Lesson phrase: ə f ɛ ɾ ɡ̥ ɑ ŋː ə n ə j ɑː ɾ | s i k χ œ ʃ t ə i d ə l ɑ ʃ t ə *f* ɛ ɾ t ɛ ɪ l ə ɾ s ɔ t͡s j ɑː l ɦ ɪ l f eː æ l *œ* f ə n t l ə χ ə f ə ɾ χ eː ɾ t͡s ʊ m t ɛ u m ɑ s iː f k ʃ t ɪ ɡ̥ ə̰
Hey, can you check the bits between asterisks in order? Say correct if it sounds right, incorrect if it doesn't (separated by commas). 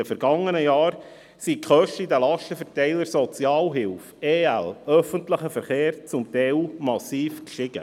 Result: correct, correct